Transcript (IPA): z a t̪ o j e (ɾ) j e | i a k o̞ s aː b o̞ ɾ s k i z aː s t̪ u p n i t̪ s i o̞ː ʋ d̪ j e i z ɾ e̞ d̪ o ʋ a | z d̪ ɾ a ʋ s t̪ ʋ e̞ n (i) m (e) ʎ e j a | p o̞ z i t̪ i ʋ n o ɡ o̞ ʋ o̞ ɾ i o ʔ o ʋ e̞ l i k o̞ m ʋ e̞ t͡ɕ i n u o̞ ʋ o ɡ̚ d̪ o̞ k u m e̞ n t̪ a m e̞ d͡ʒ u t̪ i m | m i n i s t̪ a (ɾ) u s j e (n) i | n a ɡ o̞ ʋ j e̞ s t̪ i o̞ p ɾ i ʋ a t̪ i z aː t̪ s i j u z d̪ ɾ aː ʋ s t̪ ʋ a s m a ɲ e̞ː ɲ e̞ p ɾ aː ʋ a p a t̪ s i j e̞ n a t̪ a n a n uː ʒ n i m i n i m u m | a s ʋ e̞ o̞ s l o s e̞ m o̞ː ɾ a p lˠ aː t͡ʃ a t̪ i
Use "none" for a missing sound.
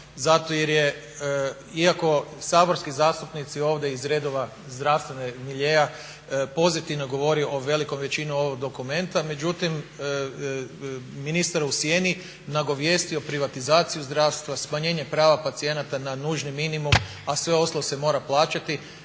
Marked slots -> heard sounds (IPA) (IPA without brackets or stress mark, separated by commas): ɾ, e, i, ɾ, n